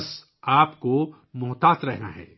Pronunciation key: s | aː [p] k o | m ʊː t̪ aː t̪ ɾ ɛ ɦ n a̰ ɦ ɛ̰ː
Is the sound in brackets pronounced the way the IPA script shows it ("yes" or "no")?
yes